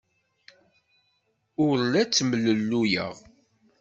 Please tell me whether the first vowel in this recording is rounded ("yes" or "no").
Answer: yes